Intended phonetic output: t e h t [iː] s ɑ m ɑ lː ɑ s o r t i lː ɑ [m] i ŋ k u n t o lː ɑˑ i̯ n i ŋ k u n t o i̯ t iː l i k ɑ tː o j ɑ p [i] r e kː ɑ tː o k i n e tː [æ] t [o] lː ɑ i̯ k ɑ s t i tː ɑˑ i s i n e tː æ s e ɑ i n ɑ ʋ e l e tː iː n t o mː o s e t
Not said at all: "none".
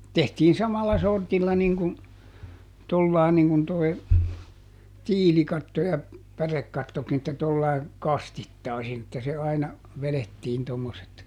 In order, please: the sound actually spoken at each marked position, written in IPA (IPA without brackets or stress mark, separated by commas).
iː, n, æ, æ, o